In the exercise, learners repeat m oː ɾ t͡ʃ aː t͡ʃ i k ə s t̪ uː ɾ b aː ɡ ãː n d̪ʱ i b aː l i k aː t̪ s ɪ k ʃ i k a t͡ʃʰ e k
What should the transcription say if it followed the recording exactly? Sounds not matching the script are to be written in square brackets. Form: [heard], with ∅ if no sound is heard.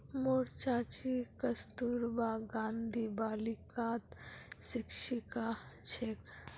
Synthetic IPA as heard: m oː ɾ t͡ʃ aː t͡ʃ i k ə s t̪ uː ɾ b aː ɡ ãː n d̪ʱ i b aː l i k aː t̪ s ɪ k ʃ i k a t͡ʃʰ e k